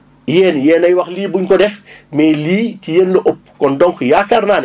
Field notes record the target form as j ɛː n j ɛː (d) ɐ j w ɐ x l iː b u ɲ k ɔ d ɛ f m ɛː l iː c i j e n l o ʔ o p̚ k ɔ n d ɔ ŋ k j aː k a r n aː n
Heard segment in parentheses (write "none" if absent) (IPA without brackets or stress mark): n